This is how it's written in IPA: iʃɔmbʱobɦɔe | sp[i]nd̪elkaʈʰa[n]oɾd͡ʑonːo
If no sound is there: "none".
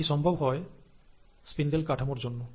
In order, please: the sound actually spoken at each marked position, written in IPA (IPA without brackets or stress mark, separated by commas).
i, m